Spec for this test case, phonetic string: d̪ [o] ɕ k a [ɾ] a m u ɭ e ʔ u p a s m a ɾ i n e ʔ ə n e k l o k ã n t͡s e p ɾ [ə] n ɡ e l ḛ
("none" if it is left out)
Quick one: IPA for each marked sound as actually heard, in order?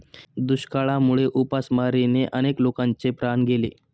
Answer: u, ɭ, a

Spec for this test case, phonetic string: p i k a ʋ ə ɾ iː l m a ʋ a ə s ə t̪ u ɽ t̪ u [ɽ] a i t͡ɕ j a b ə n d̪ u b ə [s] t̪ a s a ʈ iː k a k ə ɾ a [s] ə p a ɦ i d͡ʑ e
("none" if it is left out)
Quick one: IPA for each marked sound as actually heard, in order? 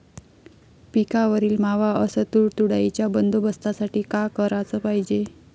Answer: ɽ, s, t͡s

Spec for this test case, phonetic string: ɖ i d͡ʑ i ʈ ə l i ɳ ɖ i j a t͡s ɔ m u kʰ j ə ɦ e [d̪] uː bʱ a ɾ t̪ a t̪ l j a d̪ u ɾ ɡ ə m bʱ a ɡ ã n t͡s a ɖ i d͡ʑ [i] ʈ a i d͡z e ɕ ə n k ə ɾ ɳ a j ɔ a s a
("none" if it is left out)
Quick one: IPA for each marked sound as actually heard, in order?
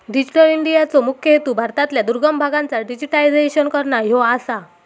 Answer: t̪, i

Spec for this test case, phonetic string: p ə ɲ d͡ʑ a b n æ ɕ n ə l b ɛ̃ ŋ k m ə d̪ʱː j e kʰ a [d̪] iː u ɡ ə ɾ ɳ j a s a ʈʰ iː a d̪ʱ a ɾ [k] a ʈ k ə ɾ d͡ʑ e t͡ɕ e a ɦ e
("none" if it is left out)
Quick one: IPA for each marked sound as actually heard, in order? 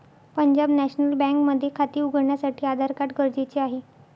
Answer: t̪, k

